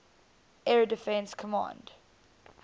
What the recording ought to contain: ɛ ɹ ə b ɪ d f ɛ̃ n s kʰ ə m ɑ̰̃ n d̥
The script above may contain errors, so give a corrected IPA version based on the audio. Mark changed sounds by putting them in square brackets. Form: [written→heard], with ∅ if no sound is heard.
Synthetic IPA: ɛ ɹ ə [b→d] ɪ [d→∅] f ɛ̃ n s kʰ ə m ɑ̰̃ n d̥